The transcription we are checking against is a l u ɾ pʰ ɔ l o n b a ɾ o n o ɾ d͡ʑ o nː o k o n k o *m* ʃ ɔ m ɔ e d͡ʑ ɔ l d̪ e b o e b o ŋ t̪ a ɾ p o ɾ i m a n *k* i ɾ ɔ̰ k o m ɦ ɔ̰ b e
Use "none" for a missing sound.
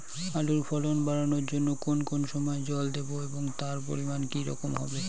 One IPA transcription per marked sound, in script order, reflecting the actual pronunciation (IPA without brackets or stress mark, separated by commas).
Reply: n, k